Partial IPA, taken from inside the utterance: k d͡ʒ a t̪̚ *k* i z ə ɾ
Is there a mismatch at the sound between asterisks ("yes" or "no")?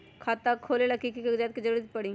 no